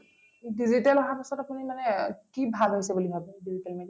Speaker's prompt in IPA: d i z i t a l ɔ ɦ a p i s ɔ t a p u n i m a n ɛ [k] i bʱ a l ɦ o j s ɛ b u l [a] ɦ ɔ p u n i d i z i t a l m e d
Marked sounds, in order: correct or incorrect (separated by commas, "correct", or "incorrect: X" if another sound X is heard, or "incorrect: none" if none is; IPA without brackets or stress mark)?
correct, incorrect: i